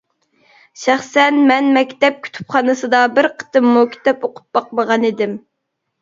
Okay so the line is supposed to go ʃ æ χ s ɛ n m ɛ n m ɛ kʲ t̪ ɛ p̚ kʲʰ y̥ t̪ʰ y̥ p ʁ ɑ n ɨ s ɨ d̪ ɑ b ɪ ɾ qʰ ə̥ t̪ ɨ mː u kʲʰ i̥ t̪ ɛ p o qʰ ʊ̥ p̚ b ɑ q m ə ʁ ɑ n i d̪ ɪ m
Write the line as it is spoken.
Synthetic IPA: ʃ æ χ s ɛ n m ɛ n m ɛ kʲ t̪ ɛ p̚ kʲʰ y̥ t̪ʰ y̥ p χ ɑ n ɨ s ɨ d̪ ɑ b ɪ ɾ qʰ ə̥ t̪ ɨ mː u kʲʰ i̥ t̪ ɛ p o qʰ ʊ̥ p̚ b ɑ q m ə ʁ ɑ n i d̪ ɪ m